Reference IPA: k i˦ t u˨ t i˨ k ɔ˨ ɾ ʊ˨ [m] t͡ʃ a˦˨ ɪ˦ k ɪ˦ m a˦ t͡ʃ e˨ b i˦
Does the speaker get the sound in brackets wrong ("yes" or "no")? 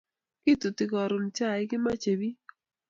no